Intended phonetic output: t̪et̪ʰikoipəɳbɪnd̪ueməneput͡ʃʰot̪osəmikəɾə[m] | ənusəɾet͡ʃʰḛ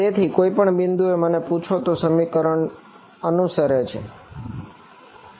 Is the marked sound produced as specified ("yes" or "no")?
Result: no